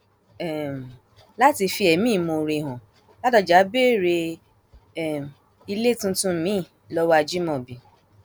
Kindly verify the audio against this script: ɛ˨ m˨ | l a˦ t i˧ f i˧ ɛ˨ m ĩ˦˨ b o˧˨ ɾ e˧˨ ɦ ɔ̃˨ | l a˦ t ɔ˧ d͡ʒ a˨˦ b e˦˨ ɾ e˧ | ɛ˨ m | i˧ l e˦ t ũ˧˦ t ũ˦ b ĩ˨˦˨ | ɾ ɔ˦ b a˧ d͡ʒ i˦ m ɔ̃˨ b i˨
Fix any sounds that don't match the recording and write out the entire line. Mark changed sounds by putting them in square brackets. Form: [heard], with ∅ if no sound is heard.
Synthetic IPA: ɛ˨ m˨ | l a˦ t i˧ f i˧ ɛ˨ m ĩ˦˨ [m] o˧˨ ɾ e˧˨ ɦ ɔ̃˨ | l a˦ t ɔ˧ d͡ʒ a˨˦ b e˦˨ ɾ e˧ | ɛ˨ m | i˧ l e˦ t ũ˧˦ t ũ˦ [m] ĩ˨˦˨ | [l] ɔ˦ [w] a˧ d͡ʒ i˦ m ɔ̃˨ b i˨